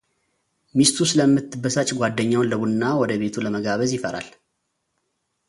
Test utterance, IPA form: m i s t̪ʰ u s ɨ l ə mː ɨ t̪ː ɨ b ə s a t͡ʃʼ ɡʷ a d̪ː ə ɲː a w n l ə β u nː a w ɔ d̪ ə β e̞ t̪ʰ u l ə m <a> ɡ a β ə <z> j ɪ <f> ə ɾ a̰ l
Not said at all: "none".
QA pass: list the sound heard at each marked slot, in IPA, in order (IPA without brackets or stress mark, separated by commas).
ə, z, f